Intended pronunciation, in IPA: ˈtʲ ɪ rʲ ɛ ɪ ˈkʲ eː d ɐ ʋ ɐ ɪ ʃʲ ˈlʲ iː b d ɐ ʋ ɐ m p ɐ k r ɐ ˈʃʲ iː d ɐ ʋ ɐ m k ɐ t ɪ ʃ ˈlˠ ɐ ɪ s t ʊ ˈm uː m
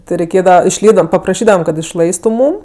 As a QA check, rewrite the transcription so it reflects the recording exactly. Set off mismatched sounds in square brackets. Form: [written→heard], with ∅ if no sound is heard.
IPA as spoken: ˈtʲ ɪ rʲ ɛ ɪ ˈkʲ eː d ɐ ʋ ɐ ɪ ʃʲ ˈlʲ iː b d ɐ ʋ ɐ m p ɐ [k→p] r ɐ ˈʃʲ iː d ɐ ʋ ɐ m k ɐ t ɪ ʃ ˈlˠ ɐ ɪ s t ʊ ˈm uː m